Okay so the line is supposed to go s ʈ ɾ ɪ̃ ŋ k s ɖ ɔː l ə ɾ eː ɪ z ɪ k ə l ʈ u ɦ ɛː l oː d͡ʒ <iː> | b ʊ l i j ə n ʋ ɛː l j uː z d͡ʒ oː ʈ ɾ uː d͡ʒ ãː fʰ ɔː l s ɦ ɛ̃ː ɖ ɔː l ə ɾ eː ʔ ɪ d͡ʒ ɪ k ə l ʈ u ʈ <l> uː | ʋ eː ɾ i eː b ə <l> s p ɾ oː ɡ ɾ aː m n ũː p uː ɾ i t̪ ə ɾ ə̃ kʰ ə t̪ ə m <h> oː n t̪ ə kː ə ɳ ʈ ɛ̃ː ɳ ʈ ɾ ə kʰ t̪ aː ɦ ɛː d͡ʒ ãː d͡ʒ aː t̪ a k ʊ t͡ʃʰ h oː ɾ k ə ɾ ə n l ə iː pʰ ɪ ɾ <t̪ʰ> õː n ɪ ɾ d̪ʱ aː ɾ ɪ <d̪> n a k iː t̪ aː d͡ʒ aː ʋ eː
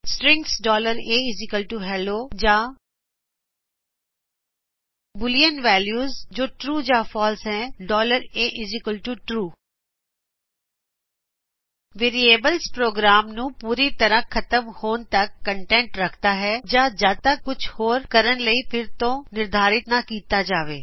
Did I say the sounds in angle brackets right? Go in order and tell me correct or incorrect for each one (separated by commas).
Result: incorrect, incorrect, correct, correct, incorrect, incorrect